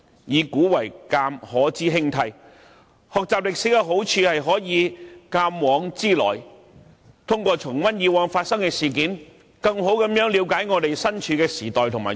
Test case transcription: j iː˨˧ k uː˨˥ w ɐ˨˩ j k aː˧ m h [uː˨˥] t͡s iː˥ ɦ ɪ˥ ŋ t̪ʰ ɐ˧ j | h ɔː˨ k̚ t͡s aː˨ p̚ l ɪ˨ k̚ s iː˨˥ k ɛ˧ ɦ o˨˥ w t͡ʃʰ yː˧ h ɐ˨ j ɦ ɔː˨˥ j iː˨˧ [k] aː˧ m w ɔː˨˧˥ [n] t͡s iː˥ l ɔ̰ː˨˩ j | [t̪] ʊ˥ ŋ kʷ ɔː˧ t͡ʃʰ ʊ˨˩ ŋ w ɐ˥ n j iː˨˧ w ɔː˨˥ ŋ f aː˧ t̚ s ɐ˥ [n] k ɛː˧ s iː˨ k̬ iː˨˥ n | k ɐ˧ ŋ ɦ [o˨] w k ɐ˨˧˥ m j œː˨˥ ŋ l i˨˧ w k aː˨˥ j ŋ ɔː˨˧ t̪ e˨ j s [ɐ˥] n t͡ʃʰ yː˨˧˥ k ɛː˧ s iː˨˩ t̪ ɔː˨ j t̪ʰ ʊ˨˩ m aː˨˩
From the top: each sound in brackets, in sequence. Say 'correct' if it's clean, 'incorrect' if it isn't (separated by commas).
incorrect, correct, incorrect, incorrect, incorrect, incorrect, correct